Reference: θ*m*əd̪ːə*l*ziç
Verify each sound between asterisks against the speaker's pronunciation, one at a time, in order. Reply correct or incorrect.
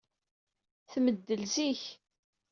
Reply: correct, correct

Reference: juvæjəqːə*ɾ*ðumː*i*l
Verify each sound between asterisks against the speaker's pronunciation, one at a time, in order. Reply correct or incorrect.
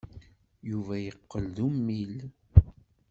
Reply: incorrect: l, correct

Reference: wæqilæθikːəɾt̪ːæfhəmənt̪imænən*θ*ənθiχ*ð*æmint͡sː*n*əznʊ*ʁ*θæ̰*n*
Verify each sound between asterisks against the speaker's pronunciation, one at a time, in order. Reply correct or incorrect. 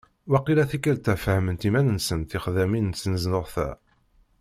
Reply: incorrect: s, correct, correct, correct, incorrect: none

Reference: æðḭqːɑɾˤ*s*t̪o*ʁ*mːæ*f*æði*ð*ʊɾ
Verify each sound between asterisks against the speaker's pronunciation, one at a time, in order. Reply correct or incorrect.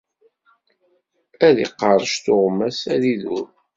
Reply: incorrect: ʃ, correct, incorrect: s, correct

